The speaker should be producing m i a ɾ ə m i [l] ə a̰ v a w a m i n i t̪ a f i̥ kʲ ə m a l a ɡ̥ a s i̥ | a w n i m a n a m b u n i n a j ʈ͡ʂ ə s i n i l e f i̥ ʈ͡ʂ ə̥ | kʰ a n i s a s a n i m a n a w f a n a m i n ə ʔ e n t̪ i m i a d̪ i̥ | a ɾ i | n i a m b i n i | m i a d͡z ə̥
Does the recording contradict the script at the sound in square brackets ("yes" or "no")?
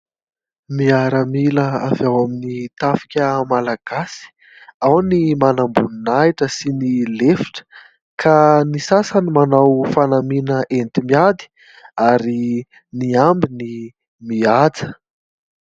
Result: no